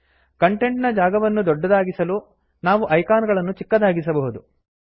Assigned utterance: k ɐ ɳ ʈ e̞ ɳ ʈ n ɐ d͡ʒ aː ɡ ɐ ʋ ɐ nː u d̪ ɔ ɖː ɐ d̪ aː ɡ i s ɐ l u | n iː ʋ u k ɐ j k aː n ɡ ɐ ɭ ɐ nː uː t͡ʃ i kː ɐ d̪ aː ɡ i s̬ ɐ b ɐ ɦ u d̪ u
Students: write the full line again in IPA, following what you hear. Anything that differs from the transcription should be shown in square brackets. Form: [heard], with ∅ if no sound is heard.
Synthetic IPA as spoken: k ɐ ɳ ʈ e̞ ɳ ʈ n ɐ d͡ʒ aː ɡ ɐ ʋ ɐ nː u d̪ ɔ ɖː ɐ d̪ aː ɡ i s ɐ l u | n [aː] ʋ u [ʔ] ɐ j k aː n ɡ ɐ ɭ ɐ nː [u] t͡ʃ i kː ɐ d̪ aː ɡ i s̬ ɐ b ɐ ɦ u d̪ u